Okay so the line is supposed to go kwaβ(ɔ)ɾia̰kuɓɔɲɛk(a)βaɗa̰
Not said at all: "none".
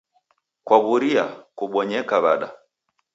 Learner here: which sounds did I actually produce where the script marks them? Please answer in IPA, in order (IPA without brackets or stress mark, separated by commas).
u, a